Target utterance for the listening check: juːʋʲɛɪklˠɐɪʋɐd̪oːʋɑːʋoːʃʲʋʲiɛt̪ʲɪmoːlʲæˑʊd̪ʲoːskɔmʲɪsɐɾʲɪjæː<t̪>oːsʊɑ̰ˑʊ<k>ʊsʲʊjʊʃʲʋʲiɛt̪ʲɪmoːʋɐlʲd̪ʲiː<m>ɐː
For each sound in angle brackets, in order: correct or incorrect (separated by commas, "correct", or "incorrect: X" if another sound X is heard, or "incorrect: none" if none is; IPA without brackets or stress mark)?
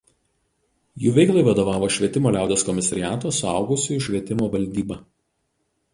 correct, incorrect: ɡ, incorrect: b